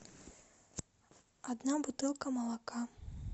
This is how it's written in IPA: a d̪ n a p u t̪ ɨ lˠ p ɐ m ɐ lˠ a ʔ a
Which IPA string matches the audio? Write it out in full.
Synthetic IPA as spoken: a d̪ n a b u t̪ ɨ lˠ k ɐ m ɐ lˠ a k a